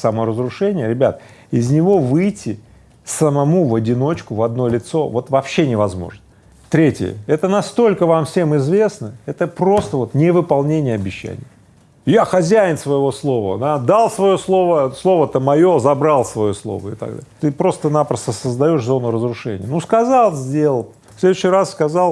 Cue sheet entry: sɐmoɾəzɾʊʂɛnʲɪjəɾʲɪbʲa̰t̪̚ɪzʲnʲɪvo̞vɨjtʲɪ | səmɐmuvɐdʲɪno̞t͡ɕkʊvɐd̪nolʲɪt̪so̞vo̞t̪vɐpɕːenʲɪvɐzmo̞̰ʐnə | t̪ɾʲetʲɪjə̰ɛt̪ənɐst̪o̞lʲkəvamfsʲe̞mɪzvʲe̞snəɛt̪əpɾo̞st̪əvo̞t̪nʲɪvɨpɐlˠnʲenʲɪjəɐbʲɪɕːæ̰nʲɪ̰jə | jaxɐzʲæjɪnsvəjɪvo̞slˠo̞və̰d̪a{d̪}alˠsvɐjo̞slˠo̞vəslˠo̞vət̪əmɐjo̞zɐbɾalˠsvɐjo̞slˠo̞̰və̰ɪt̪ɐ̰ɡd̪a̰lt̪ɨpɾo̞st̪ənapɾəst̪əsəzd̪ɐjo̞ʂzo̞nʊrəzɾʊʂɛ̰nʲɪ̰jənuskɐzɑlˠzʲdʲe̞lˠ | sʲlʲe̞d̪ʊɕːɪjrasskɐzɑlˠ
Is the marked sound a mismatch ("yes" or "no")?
no